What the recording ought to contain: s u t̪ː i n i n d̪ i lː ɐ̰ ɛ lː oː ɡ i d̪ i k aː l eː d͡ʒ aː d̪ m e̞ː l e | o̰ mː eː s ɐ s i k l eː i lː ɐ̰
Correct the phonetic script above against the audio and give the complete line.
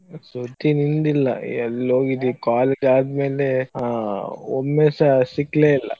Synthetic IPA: s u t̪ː i n i n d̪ i lː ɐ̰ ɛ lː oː ɡ i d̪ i k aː l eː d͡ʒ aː d̪ m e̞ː l e | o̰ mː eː s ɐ s i k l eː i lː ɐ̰